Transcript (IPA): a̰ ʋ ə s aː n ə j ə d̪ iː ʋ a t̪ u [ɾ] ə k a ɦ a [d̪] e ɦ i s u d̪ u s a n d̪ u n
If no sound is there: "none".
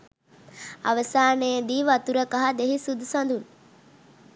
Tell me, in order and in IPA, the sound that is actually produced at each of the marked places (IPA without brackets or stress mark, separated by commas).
ɾ, d̪